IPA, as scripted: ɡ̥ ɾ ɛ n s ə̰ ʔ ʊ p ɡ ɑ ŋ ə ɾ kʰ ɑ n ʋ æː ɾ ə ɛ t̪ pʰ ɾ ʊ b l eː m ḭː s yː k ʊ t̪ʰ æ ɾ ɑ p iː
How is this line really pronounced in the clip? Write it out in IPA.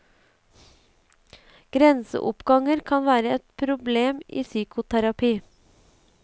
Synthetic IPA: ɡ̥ ɾ ɛ n s ə̰ ʔ ʊ p ɡ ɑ ŋ ə ɾ kʰ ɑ n ʋ æː ɾ ə ɛ t̪ pʰ ɾ ʊ b l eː m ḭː s yː k ʊ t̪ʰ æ ɾ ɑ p iː